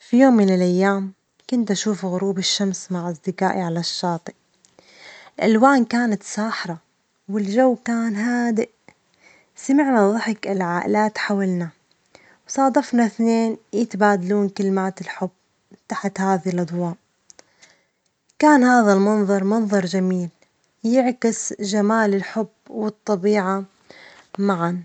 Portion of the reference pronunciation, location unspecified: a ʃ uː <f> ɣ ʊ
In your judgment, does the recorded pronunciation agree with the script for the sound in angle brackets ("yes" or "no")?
yes